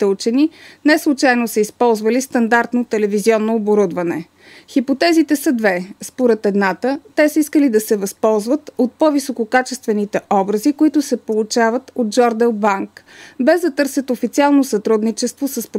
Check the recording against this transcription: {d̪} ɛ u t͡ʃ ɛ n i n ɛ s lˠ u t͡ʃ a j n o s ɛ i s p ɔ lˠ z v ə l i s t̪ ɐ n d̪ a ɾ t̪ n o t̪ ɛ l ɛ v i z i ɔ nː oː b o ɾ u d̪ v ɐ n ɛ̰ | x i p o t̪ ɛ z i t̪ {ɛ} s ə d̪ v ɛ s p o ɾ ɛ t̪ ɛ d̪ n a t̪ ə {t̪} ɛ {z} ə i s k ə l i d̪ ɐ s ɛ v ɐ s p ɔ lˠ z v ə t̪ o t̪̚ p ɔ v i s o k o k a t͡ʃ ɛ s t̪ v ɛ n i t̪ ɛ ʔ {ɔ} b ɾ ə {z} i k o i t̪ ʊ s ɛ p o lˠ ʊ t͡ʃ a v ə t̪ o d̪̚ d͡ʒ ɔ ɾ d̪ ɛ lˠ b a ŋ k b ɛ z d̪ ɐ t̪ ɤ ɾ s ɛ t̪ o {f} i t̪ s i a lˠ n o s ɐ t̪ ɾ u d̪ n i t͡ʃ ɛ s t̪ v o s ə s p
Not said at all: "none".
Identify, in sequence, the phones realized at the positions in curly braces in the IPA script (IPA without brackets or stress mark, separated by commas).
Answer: t̪, ɛ, t̪, s, ɔ, z, f